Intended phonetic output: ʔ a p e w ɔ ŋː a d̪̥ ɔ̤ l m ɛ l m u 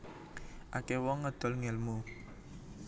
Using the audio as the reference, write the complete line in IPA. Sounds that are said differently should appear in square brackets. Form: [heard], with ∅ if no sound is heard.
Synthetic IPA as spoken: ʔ a [k] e w ɔ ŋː [ə] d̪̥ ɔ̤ l [ŋ] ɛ l m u